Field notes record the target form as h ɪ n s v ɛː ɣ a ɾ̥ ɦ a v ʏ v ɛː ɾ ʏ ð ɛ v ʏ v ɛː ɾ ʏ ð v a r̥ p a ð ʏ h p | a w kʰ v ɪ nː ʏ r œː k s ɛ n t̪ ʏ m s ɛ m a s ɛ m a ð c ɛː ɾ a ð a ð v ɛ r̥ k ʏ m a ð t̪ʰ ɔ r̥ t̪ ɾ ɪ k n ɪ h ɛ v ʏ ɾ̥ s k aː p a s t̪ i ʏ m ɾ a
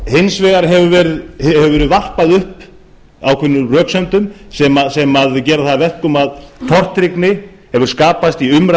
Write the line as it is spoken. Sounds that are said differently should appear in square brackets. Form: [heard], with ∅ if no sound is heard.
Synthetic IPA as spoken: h ɪ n s v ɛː ɣ a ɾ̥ ɦ [ɛ] v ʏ v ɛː ɾ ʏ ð ɛ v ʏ v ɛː ɾ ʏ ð v a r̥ p a ð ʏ h p | a w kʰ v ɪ nː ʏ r œː k s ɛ n t̪ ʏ m s ɛ m a s ɛ m a ð c ɛː ɾ a [θ] a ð v ɛ r̥ k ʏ m a ð t̪ʰ ɔ r̥ t̪ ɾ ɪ k n ɪ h ɛ v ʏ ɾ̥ s k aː p a s t̪ i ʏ m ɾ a